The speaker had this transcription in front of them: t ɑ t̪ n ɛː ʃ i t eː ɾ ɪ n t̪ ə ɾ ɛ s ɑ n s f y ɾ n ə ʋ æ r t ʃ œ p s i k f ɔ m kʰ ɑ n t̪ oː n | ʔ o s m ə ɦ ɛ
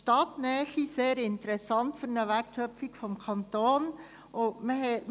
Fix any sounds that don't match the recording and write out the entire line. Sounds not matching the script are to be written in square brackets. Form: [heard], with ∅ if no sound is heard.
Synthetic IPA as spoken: t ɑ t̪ n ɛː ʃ i [s] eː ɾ ɪ n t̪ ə ɾ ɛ s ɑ n [t] f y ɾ n ə ʋ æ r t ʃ œ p [f] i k f ɔ m kʰ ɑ n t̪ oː n | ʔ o [∅] m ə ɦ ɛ